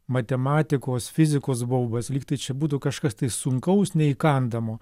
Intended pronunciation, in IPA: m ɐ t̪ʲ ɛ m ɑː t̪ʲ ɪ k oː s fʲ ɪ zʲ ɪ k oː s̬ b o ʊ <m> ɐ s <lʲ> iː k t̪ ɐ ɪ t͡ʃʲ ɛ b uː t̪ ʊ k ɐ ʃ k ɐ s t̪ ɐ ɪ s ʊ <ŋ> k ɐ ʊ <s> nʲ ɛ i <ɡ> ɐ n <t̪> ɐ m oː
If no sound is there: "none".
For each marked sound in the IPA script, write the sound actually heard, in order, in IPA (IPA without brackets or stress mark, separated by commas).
b, lʲ, ŋ, s, k, d̪